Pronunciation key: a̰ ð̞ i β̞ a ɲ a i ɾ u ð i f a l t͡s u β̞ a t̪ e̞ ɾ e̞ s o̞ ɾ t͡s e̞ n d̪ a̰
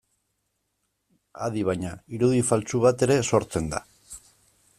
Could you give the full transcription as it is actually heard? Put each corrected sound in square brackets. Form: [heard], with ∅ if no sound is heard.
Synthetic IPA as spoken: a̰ ð̞ i β̞ a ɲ a i ɾ u ð i f a l t͡s u β̞ a t̪ e̞ ɾ e̞ s o̞ ɾ t͡s e̞ n d̪ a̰